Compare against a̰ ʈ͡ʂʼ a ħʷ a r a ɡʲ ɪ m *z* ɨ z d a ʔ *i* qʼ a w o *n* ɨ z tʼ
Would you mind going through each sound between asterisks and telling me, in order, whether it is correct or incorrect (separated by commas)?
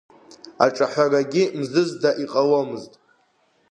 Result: correct, correct, incorrect